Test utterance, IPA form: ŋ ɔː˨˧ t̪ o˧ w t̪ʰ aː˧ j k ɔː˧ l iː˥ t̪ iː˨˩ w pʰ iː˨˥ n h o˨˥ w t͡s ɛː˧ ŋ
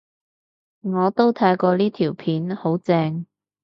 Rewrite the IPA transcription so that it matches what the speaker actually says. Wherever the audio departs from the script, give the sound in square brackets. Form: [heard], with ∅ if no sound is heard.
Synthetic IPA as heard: ŋ ɔː˨˧ t̪ [o˥] w t̪ʰ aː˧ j k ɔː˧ l iː˥ [t̪ʰ] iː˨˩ w pʰ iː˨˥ n h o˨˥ w t͡s ɛː˧ ŋ